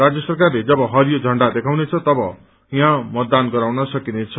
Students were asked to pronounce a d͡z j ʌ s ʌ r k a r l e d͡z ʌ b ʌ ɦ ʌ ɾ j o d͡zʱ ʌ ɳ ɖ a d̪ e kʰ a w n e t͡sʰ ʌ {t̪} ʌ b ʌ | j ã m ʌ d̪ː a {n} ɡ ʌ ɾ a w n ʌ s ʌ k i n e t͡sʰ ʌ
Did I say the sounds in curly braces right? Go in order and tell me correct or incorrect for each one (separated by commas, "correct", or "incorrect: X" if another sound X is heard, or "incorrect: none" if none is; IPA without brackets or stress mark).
correct, correct